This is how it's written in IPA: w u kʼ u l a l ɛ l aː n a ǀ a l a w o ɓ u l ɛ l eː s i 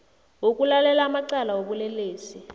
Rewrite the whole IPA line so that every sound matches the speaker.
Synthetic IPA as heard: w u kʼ u l a l ɛ l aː m a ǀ a l a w o ɓ u l ɛ l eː s i